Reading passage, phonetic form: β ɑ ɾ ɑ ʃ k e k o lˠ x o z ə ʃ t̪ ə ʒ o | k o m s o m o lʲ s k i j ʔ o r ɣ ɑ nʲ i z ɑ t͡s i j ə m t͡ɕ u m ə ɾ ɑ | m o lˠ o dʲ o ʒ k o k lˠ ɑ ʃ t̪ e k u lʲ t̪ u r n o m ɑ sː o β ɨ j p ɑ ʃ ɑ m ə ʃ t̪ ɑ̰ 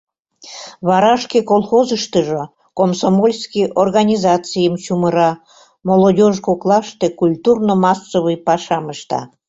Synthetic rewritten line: β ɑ ɾ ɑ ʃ k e k o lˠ x o z ə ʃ t̪ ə ʒ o | k o m s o m o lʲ s k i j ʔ o r ɣ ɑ nʲ i z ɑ t͡s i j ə m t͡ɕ u m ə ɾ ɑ | m o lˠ o dʲ o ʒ k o k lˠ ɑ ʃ t̪ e k u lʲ t̪ u r n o m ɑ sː o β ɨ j p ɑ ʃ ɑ m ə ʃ t̪ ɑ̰